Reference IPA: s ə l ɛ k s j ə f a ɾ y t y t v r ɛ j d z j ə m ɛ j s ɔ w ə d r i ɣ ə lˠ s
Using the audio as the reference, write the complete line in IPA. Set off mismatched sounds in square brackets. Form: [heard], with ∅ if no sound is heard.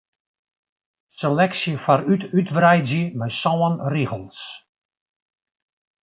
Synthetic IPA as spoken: s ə l ɛ k s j ə f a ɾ y t y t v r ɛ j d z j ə m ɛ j s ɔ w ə [n] r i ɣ ə lˠ s